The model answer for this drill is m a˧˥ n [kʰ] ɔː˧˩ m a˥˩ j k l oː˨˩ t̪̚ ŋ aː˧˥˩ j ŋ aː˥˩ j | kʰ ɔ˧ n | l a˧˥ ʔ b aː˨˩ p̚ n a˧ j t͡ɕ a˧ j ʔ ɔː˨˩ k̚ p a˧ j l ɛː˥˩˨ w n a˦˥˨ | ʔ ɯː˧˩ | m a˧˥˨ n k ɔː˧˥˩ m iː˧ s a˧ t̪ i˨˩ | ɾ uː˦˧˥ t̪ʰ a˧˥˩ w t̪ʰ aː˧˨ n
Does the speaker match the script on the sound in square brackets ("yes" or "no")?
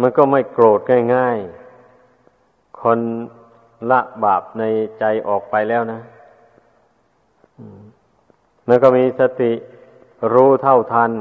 no